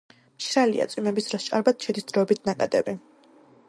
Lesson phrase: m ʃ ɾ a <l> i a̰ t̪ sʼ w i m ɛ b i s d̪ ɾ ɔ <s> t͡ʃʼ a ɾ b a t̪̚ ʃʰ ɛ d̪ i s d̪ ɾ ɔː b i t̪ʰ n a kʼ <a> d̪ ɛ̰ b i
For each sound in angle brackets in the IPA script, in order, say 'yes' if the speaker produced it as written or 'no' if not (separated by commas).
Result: yes, yes, yes